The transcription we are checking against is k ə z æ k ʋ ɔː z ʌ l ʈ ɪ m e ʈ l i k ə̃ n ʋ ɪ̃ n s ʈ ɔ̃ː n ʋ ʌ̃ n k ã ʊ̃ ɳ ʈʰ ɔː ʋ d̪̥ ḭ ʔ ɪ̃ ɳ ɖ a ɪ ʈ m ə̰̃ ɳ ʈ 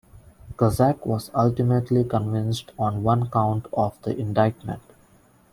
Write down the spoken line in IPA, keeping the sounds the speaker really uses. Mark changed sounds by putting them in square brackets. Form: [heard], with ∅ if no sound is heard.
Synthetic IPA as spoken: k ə z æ k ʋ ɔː z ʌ l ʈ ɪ m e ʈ l i k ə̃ n ʋ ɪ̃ n s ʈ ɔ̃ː n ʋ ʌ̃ n k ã ʊ̃ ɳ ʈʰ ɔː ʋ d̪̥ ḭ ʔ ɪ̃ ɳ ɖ a ɪ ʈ m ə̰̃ ɳ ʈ